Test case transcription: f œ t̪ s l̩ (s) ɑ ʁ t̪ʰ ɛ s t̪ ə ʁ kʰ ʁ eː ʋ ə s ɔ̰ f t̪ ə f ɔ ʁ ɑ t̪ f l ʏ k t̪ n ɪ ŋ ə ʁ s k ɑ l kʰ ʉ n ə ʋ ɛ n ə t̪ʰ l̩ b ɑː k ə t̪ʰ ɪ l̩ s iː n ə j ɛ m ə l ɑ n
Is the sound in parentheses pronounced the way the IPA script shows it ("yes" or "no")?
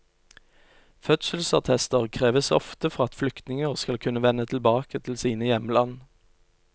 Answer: yes